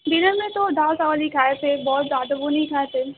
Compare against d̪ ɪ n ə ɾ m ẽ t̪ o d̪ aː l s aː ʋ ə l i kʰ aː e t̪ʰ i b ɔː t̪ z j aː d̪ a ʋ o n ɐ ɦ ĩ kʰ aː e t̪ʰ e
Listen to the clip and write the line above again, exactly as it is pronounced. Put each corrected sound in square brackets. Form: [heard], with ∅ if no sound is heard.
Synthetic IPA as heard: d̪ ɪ n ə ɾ m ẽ t̪ o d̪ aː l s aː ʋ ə l i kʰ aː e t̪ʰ [e] b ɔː t̪ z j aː d̪ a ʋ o n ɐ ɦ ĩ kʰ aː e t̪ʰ e